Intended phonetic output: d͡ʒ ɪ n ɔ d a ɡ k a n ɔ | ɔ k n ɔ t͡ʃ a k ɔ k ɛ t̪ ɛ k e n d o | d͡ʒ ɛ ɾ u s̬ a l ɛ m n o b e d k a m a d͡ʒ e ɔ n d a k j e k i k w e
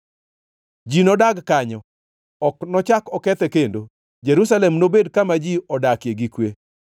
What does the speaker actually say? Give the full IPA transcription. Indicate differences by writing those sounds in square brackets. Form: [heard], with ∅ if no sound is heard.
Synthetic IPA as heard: d͡ʒ [i] n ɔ d a ɡ k a [ɲ] ɔ | ɔ k n ɔ t͡ʃ a k ɔ k ɛ t̪ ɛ k e n d o | d͡ʒ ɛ ɾ u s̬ a l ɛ m n o b e d k a m a d͡ʒ [i] ɔ [∅] d a k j e [ɡ] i k w e